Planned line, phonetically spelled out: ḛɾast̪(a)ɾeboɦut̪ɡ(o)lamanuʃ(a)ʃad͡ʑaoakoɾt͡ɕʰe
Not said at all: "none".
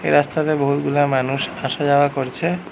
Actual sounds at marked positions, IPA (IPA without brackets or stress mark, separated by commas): a, u, a